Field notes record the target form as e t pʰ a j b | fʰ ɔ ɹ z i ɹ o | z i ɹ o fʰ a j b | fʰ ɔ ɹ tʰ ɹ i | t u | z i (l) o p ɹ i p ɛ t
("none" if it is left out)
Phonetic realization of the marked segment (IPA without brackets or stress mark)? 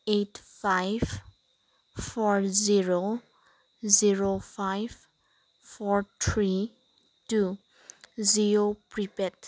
ɹ